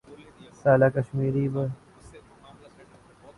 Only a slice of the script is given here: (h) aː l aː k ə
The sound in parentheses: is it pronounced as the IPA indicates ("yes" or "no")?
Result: no